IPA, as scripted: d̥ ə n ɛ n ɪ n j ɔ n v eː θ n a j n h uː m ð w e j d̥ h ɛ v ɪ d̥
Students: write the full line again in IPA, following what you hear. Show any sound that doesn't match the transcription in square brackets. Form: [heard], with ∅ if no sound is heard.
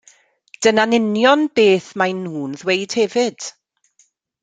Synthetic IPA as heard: d̥ ə n [a] n ɪ n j ɔ n [b] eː θ [m] a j n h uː [n] ð w e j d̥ h ɛ v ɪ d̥